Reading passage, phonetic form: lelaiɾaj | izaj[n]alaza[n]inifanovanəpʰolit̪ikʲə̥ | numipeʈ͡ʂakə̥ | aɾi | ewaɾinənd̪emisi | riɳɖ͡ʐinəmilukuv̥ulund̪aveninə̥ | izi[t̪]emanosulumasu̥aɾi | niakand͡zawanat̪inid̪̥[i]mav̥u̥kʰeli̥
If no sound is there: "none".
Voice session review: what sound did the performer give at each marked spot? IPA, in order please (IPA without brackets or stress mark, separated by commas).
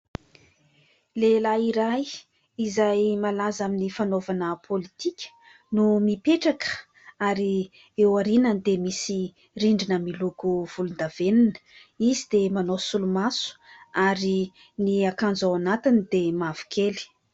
m, m, d̪, e